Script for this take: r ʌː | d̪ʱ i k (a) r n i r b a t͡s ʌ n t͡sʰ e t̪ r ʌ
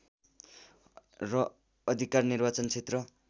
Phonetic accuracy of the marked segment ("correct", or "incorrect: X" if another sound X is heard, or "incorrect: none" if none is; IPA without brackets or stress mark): correct